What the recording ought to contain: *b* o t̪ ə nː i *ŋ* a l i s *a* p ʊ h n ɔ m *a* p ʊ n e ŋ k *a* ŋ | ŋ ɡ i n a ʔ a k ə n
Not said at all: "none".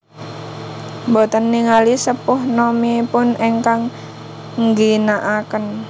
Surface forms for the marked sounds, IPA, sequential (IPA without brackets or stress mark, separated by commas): b, ŋ, ə, i, a